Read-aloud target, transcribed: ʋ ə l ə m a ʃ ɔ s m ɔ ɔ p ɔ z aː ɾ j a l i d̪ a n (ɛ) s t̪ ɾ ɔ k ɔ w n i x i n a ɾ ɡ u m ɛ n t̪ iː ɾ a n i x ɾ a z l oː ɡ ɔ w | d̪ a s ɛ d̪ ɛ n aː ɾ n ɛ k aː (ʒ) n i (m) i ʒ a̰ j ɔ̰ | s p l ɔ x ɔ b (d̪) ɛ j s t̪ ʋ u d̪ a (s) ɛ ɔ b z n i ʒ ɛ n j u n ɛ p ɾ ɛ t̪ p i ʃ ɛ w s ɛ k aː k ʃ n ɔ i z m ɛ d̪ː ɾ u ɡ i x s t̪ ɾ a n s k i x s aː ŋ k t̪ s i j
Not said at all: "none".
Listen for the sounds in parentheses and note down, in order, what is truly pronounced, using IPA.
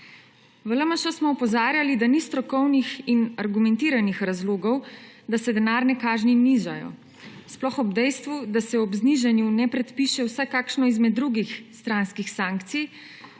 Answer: i, ʒ, n, d̪, s

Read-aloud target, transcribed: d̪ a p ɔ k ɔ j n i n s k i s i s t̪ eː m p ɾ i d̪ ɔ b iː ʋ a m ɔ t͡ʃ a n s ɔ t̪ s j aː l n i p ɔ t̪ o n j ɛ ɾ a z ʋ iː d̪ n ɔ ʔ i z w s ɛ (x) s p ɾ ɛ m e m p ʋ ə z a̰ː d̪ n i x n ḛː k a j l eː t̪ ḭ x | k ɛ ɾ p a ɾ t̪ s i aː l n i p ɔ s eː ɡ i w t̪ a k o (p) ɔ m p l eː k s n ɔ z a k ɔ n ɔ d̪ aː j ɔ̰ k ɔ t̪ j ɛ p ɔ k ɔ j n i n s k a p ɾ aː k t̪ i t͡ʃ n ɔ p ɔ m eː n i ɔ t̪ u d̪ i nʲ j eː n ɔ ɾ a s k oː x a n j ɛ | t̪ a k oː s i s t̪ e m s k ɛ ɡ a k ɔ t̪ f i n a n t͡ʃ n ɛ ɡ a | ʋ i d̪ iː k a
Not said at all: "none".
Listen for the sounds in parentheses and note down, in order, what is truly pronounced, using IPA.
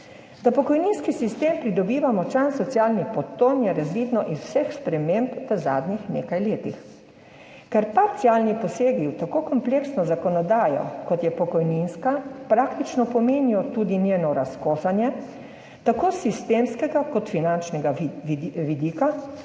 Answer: x, k

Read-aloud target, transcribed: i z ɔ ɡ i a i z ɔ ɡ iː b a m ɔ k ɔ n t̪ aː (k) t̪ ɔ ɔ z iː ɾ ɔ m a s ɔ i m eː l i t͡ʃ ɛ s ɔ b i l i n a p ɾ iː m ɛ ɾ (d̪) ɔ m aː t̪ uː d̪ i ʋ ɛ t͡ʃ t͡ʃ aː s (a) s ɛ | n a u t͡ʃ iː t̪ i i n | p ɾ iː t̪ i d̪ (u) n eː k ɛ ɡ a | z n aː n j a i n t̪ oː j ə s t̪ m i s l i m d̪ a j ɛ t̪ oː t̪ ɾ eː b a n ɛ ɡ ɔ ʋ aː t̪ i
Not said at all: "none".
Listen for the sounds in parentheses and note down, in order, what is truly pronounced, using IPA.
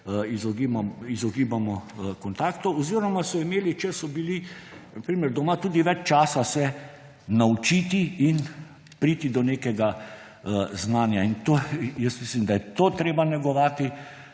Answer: k, d̪, a, ɔ

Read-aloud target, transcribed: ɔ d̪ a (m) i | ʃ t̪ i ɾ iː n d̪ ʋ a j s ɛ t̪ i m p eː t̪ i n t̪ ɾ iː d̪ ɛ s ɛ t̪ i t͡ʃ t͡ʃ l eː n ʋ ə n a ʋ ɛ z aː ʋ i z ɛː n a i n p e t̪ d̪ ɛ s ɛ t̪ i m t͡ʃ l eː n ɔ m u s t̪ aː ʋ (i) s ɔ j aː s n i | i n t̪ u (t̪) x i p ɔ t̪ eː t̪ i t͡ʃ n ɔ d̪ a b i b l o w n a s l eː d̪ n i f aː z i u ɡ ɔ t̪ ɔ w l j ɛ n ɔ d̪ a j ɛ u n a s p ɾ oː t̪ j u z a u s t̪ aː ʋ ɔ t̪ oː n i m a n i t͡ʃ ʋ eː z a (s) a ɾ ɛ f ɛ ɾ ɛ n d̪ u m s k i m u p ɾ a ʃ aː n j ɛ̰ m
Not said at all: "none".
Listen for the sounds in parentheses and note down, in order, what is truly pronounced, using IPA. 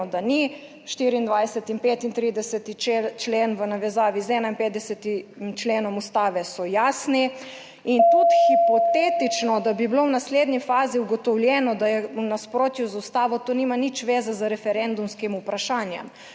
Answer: n, ɛ, t̪, z

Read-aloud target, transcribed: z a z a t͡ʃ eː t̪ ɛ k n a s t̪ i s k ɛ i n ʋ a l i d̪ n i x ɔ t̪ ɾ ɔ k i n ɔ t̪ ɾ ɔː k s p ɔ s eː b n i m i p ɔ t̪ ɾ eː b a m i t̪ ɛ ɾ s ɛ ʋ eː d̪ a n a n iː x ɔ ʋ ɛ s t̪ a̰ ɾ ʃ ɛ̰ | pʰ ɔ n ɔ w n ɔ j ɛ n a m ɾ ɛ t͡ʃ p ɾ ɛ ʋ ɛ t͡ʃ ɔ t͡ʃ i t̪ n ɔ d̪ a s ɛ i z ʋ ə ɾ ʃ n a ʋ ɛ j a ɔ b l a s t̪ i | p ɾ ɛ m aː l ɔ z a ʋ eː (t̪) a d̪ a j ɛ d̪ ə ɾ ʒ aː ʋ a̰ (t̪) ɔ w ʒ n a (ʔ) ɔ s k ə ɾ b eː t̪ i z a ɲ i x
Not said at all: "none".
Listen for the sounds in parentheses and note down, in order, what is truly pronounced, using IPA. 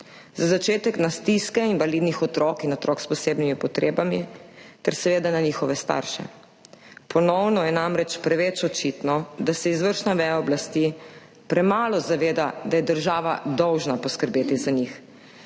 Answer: d̪, d̪, p

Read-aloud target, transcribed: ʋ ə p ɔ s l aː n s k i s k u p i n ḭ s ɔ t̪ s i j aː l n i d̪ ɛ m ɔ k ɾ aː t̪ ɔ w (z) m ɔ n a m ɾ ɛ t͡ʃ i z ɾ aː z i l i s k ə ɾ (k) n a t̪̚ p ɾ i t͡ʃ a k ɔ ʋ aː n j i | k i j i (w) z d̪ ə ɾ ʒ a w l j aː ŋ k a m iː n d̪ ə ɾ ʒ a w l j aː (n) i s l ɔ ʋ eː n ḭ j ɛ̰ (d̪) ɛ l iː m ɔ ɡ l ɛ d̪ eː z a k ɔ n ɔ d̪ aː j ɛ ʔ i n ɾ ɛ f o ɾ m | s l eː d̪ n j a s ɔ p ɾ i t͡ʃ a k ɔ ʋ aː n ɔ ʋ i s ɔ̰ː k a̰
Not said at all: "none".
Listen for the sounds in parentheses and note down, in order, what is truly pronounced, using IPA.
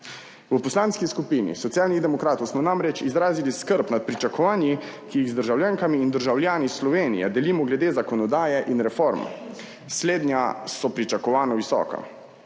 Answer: s, p, ɣ, n, d̪

